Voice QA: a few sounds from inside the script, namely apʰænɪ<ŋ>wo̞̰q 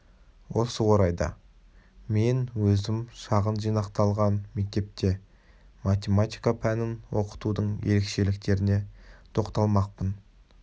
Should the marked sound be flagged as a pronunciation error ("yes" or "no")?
yes